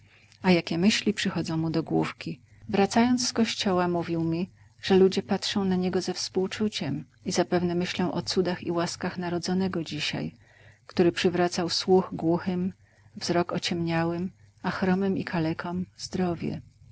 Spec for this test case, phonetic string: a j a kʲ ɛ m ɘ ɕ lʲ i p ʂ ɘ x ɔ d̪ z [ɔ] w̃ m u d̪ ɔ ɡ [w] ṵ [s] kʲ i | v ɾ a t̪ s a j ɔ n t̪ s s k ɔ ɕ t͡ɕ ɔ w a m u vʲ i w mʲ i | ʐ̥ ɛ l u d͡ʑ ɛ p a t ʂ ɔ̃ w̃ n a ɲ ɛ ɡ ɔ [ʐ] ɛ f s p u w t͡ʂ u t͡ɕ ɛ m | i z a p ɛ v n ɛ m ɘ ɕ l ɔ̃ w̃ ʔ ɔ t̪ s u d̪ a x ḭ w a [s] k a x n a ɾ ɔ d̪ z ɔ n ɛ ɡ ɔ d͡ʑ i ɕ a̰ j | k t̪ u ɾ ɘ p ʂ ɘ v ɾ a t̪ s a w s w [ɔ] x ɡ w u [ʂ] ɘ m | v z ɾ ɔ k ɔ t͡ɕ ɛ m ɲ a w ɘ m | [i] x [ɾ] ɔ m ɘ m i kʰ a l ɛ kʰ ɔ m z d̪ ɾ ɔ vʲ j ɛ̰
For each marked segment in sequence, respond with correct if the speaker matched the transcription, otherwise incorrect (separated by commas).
incorrect, correct, incorrect, incorrect, correct, incorrect, incorrect, incorrect, correct